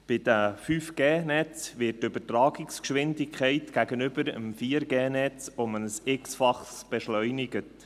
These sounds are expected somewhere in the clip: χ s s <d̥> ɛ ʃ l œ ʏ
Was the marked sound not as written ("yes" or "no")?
yes